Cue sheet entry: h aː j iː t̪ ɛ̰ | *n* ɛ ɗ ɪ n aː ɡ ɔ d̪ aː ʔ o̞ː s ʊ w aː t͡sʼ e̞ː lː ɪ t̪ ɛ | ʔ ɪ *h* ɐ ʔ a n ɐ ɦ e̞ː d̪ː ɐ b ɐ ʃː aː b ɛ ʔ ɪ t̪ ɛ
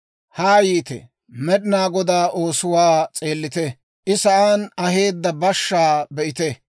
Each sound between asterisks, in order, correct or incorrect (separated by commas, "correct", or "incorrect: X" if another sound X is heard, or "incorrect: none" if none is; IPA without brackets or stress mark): incorrect: m, incorrect: s